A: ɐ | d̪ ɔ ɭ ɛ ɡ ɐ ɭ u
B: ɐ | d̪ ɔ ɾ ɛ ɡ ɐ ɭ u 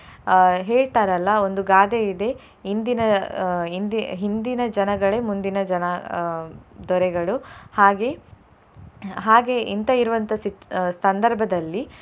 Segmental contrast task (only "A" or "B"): B